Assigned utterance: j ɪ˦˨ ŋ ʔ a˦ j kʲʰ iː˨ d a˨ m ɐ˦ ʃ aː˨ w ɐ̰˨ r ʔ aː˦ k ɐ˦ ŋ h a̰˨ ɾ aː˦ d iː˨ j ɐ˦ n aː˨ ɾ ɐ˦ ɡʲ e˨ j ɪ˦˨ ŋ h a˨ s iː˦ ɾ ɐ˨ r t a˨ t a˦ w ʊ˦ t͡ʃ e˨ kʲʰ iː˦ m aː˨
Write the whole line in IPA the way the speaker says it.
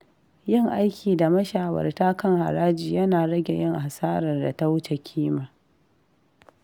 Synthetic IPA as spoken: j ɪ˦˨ ŋ ʔ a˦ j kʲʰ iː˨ d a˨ m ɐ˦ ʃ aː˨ w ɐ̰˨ r t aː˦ k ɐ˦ ŋ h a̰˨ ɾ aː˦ d͡ʒ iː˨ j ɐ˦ n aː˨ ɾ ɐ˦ ɡʲ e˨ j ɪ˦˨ ŋ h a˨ s aː˦ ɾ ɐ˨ r d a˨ t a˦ w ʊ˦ t͡ʃ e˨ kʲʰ iː˦ m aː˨